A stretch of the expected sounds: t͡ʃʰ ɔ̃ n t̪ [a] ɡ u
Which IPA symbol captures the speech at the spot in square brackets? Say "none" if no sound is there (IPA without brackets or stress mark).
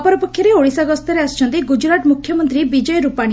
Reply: i